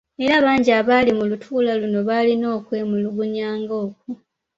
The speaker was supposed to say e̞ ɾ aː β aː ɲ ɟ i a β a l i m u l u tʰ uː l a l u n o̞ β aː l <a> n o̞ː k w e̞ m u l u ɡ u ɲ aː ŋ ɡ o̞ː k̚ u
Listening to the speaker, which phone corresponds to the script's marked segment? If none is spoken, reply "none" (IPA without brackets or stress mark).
i